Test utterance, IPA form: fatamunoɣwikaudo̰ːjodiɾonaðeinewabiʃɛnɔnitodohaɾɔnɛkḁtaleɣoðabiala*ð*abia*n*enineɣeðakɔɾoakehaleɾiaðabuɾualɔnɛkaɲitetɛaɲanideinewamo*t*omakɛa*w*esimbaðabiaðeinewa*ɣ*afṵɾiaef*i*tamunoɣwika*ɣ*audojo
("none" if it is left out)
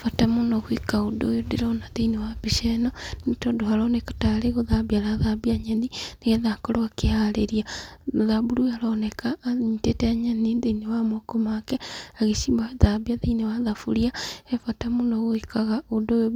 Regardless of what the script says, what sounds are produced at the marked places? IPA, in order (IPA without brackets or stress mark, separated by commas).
ð, ɲ, k, ɣ, ð, a, ɣ